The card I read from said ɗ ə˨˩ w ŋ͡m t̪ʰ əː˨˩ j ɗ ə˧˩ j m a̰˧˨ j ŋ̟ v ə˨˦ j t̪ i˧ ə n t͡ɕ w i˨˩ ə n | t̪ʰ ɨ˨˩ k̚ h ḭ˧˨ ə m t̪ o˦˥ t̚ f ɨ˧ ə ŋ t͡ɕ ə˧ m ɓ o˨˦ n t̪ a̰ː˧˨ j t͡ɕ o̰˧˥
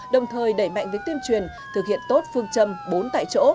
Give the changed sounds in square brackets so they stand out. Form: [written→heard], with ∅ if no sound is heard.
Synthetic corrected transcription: ɗ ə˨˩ w ŋ͡m t̪ʰ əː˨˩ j ɗ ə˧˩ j m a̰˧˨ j ŋ̟ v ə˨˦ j t̪ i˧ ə n t͡ɕ w i˨˩ ə n | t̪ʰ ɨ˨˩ k̚ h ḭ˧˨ ə [m→n] t̪ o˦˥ t̚ f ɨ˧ ə ŋ t͡ɕ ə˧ m ɓ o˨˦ n t̪ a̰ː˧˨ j t͡ɕ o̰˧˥